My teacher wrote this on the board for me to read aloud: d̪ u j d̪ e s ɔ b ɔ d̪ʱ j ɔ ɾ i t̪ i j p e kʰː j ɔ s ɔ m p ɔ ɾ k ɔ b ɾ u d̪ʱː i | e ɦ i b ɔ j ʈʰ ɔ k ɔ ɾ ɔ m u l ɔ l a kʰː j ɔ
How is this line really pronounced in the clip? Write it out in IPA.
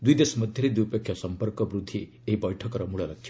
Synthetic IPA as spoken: d̪ u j d̪ e s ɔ m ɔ d̪ʱ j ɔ ɾ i d̪ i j p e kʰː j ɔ s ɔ m p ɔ ɾ k ɔ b ɾ u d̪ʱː i | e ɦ i b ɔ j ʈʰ ɔ k ɔ ɾ ɔ m u ɭ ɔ l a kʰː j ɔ